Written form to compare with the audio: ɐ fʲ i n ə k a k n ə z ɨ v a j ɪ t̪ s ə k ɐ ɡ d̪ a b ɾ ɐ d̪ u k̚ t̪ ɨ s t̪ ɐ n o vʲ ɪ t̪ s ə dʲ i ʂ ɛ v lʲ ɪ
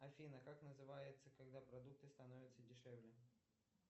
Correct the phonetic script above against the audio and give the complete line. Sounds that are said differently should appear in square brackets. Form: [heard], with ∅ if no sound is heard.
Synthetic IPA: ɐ fʲ i n ə k a k n ə z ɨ v a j ɪ t̪ s ə k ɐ ɡ d̪ a [p] ɾ ɐ d̪ u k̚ t̪ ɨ s t̪ ɐ n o vʲ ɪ t̪ s ə dʲ [ɪ] ʂ ɛ v lʲ ɪ

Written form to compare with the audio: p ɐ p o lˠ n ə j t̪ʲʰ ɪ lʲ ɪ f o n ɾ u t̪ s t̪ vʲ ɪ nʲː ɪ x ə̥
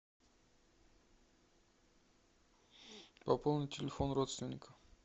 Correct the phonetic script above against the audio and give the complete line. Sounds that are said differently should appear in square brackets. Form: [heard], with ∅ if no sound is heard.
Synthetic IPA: p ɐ p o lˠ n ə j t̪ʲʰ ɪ lʲ ɪ f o n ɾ [o] t̪ s t̪ vʲ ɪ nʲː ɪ [k] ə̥

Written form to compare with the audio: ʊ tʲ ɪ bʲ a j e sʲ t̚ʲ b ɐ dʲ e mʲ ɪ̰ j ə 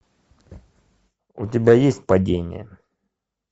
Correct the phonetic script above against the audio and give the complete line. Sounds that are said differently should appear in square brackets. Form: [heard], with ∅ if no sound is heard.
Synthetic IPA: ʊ tʲ ɪ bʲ a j e sʲ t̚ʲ [p] ɐ dʲ e [nʲ] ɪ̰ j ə

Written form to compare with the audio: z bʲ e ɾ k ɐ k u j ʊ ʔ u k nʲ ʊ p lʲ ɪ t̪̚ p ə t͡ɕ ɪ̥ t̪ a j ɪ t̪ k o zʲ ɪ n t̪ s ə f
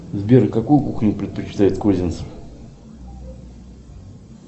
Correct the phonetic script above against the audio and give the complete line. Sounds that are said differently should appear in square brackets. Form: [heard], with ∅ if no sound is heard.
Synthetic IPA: z bʲ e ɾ k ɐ k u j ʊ [k] u [x] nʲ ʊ p [ɾʲ] ɪ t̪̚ p ə t͡ɕ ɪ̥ t̪ a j ɪ t̪ k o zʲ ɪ n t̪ s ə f

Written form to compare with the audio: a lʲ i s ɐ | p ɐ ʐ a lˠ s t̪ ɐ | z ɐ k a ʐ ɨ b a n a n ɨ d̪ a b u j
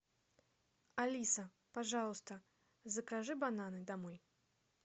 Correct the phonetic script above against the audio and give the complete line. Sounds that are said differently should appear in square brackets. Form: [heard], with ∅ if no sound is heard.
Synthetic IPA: a lʲ i s ɐ | p [a] ʐ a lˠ s t̪ ɐ | z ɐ k a ʐ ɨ b a n a n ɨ d̪ a [m] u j

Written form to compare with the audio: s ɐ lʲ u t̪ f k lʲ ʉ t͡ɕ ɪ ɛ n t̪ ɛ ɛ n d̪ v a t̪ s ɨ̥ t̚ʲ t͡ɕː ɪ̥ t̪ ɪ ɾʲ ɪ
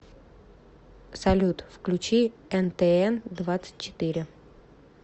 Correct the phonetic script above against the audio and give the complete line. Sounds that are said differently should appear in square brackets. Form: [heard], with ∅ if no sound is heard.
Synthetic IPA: s ɐ lʲ u t̪ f k lʲ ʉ t͡ɕ [i] ɛ n t̪ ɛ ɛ n d̪ v a t̪ s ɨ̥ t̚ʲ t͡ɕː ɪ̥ t̪ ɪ ɾʲ ɪ

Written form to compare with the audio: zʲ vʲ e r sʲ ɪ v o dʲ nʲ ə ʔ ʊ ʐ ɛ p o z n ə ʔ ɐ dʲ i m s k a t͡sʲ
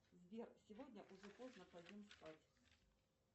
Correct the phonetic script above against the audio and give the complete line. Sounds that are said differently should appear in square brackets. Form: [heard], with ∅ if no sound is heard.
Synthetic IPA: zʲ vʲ e r sʲ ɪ v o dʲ nʲ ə ʔ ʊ ʐ ɛ p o z n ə [p] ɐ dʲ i m s [p] a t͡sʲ

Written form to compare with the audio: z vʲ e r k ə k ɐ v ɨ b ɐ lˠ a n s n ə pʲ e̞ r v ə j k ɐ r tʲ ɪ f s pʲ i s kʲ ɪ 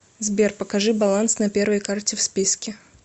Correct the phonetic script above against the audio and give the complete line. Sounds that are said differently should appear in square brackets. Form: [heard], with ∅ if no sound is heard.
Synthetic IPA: z [bʲ] e r [p] ə k ɐ [ʐ] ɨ b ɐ lˠ a n s n [ɐ] pʲ e̞ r v ə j k [a] r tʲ ɪ f s pʲ i s kʲ ɪ

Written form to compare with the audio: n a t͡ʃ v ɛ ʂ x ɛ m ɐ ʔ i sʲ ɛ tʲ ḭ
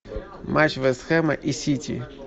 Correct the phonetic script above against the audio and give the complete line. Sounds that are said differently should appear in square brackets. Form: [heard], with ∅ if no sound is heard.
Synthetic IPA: [m] a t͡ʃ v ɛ [s] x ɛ m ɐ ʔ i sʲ [i] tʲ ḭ

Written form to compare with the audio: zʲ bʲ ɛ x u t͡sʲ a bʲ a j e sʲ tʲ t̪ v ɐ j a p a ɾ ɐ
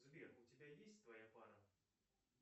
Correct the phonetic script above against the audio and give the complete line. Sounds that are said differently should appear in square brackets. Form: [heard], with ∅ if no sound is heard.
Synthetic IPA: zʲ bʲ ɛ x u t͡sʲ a bʲ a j e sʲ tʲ t̪ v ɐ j a p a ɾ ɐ

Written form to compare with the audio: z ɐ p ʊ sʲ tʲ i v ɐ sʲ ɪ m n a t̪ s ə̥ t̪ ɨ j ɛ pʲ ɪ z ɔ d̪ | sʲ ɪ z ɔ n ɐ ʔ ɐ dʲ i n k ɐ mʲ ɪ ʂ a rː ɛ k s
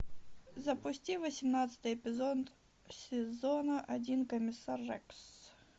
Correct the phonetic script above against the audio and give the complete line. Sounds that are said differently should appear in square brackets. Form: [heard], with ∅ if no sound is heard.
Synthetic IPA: z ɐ p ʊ sʲ tʲ i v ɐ sʲ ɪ m n a t̪ s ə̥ t̪ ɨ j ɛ pʲ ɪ z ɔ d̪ | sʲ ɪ z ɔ n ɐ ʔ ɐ dʲ i n k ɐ mʲ ɪ [s] a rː ɛ k s

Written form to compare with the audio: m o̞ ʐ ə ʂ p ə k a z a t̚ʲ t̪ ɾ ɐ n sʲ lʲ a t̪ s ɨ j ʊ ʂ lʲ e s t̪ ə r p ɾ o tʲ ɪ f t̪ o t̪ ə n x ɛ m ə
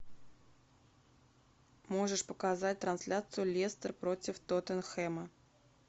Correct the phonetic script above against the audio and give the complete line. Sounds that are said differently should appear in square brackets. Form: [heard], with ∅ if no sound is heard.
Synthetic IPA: m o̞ ʐ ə ʂ p ə k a z a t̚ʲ t̪ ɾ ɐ n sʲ lʲ a t̪ s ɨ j ʊ [∅] lʲ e s t̪ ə r p ɾ o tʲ ɪ f t̪ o t̪ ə n x ɛ m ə

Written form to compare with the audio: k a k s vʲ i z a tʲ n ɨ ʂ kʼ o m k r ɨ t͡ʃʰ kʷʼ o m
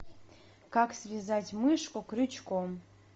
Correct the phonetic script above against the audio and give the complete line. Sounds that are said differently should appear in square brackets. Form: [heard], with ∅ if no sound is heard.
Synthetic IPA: k a k s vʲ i z a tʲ [m] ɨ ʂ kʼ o [∅] k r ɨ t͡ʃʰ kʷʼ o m

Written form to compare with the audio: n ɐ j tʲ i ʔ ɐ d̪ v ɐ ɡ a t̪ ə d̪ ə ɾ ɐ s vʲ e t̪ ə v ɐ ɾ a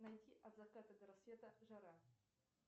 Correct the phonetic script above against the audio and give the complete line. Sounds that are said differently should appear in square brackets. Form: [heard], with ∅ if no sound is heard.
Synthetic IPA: n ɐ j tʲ i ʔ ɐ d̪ [z] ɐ [k] a t̪ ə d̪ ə ɾ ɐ s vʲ e t̪ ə [ʐ] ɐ ɾ a

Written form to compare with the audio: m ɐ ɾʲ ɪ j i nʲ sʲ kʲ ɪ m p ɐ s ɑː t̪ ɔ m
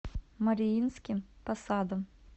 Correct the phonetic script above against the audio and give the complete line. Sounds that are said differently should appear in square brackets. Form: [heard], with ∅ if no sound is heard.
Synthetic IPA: m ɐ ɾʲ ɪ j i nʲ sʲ kʲ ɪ m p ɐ s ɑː [d̪] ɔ m

